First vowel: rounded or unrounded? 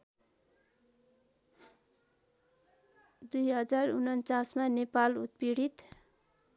rounded